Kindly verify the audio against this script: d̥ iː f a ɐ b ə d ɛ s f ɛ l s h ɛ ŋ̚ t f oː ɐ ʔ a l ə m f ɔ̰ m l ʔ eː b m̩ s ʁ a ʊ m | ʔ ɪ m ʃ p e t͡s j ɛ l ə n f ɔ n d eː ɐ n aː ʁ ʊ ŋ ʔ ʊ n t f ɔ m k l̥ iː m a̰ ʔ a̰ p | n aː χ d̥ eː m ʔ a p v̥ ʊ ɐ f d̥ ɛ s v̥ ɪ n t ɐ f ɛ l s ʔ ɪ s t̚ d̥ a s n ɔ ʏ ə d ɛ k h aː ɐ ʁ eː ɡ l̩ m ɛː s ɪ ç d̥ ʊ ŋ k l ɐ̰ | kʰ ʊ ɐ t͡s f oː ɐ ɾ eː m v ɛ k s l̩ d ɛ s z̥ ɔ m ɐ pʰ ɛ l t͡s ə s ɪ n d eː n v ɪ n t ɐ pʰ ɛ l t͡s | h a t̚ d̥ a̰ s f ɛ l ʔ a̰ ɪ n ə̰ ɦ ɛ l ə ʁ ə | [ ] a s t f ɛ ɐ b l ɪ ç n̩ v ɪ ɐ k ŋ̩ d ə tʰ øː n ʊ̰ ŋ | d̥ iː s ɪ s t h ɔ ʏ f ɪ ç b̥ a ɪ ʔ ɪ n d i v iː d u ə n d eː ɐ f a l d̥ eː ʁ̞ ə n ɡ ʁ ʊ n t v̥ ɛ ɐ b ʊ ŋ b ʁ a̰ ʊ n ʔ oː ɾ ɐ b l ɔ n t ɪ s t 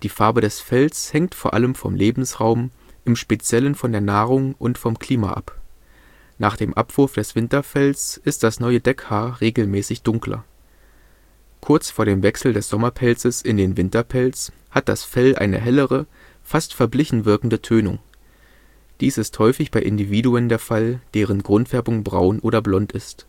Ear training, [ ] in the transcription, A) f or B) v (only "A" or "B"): A